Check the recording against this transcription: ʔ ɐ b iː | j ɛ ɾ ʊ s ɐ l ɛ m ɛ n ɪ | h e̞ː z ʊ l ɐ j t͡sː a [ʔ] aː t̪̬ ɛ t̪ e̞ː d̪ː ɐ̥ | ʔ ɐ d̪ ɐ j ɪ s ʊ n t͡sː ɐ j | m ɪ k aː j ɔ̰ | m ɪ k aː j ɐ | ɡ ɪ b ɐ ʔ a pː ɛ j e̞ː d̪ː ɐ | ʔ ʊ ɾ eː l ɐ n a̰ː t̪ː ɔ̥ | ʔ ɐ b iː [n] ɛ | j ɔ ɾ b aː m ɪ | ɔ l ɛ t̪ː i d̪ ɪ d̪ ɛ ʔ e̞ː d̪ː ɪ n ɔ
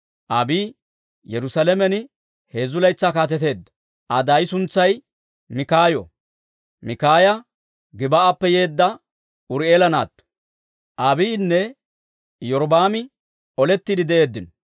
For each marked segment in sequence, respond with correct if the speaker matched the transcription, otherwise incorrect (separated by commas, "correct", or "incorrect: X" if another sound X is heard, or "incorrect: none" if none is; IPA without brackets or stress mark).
incorrect: k, incorrect: nː